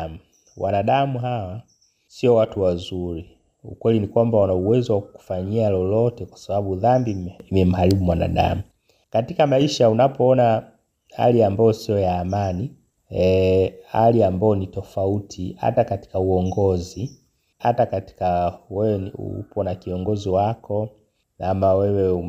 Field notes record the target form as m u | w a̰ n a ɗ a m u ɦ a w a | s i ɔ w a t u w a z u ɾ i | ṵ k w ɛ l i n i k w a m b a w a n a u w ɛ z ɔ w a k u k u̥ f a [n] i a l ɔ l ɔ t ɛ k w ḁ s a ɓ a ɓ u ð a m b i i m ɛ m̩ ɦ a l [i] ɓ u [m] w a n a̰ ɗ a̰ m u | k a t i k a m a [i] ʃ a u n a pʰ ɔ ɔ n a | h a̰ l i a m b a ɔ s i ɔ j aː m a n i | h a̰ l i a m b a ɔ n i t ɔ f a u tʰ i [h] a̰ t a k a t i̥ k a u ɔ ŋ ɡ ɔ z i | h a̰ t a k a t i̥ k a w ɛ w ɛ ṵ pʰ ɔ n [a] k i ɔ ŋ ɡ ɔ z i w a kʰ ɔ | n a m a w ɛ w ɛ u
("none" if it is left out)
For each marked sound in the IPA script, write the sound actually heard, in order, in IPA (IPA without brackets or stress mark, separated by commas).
ɲ, i, m, i, h, a